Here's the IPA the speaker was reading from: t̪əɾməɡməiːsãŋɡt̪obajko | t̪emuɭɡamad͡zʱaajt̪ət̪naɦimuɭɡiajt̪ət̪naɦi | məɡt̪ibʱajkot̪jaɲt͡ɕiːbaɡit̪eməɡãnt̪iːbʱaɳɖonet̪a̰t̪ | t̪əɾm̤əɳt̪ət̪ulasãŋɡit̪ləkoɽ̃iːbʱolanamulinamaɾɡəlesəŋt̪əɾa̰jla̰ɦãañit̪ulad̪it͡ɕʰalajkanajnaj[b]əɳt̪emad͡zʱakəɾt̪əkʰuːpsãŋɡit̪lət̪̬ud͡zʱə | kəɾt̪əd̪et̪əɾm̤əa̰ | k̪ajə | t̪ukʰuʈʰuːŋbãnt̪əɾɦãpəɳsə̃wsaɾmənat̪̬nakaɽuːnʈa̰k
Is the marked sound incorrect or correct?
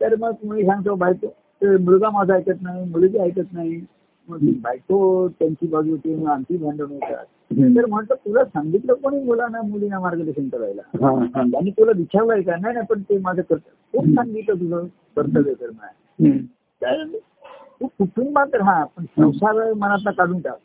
incorrect